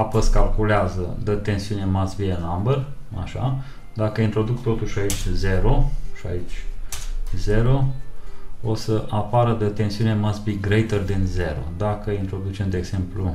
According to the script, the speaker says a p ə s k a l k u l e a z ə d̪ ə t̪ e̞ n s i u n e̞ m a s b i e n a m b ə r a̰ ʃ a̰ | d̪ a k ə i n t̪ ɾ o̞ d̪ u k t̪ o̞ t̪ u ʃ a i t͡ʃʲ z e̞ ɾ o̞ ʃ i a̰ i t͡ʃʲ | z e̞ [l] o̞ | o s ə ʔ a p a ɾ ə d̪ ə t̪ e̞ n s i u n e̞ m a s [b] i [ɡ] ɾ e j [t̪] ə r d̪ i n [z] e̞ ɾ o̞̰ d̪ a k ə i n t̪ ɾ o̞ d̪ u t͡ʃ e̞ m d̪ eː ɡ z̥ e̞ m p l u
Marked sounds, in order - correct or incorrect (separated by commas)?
incorrect, correct, correct, correct, correct